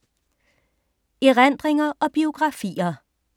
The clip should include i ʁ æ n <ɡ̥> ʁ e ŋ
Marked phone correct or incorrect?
incorrect